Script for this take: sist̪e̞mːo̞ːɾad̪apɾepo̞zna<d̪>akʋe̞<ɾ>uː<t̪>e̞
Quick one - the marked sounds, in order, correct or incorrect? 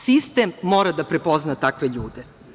incorrect: t̪, incorrect: ʎ, incorrect: d̪

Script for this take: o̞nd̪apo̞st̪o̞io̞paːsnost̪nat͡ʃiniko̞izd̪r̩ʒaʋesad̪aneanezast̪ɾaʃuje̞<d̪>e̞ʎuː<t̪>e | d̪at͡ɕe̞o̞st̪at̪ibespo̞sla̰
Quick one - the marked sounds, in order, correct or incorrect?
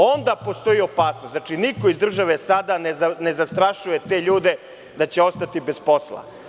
incorrect: t̪, incorrect: d̪

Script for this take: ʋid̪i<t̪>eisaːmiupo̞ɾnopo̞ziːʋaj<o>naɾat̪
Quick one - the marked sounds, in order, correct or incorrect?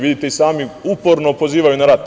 correct, incorrect: u

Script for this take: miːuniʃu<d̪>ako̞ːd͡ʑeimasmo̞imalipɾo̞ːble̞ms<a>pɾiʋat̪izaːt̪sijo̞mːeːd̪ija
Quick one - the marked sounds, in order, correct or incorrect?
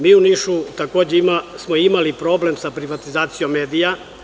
incorrect: t̪, correct

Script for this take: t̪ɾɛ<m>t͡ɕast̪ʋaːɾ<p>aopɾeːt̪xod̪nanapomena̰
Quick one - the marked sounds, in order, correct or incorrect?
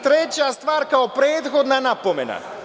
incorrect: none, incorrect: k

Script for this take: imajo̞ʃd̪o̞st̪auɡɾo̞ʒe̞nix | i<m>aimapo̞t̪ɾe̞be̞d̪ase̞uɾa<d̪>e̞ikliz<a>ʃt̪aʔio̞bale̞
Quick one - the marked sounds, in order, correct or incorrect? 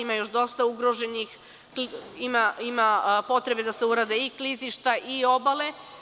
correct, correct, incorrect: i

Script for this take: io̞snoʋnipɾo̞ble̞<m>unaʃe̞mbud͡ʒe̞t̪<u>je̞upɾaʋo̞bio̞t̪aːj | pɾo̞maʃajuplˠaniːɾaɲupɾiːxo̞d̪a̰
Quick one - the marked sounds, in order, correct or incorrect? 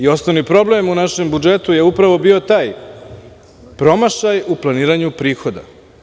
correct, correct

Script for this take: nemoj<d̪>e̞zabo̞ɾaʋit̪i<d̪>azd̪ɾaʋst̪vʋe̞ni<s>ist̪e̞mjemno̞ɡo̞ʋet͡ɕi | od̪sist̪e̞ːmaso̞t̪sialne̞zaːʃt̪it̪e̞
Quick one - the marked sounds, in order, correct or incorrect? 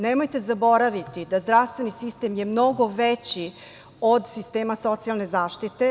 incorrect: t̪, correct, correct

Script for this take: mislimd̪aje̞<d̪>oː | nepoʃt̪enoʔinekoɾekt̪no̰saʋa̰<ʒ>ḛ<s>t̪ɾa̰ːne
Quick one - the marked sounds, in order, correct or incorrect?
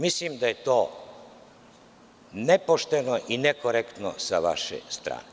incorrect: t̪, incorrect: ʃ, correct

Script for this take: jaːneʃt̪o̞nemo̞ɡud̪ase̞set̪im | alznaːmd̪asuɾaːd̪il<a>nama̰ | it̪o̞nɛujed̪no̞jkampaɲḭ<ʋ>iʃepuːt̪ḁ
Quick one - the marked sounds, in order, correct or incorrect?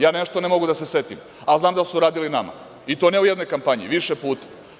incorrect: i, correct

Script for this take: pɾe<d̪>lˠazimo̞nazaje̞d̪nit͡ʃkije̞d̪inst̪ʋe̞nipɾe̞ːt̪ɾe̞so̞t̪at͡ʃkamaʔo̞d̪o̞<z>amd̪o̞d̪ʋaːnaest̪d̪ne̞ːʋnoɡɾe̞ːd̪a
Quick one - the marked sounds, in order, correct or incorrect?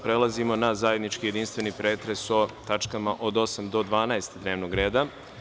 incorrect: none, incorrect: s

